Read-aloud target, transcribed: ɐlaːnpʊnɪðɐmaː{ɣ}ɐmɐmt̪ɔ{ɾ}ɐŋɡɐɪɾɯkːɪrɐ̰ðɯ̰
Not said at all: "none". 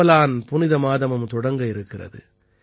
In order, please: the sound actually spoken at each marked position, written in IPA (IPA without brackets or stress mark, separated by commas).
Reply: ð, ɽ